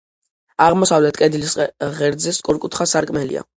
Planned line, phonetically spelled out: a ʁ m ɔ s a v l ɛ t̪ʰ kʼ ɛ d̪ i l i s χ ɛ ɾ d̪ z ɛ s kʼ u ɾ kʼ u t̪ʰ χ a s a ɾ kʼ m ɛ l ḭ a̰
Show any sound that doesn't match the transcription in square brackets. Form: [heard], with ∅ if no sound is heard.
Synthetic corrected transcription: a ʁ m ɔ s a v l ɛ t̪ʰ kʼ ɛ d̪ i l i s [ʁ] ɛ ɾ d̪ z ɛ s kʼ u ɾ kʼ u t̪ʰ χ a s a ɾ kʼ m ɛ l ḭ a̰

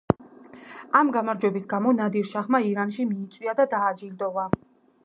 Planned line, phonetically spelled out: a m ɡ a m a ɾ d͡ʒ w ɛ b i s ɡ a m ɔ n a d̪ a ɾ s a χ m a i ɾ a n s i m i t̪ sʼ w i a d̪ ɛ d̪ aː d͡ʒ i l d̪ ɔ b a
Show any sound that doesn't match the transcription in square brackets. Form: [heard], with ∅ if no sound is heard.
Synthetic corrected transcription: a m ɡ a m a ɾ d͡ʒ w ɛ b i s ɡ a m ɔ n a d̪ [i] ɾ [ʃ] a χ m a i ɾ a n [ʃ] i m [iː] t̪ sʼ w i a d̪ [a] d̪ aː d͡ʒ i l d̪ ɔ [v] a

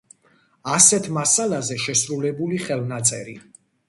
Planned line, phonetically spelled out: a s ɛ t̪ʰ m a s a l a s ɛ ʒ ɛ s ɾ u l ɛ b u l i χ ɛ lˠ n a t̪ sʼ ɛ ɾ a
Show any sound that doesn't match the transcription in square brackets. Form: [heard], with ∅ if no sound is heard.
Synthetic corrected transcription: a s ɛ t̪ʰ m a s a l a [z] ɛ [ʃ] ɛ s ɾ u l ɛ b u l i χ ɛ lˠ n a t̪ sʼ ɛ ɾ [i]

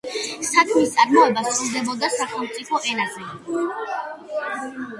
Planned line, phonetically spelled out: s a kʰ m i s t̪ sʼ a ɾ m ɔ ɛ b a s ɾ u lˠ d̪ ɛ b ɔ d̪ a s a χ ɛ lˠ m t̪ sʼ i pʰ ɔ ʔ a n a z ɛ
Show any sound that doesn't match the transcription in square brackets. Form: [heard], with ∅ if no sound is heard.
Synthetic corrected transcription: s a kʰ m i s t̪ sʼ a ɾ m ɔ ɛ b a s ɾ u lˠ d̪ ɛ b ɔ d̪ a s a χ ɛ lˠ m t̪ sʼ i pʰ ɔ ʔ [ɛ] n a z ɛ

